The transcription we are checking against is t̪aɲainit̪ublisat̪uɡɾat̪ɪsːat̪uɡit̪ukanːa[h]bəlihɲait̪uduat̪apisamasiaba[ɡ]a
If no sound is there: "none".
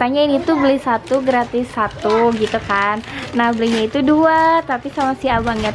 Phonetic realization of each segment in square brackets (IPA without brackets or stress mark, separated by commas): h, ŋ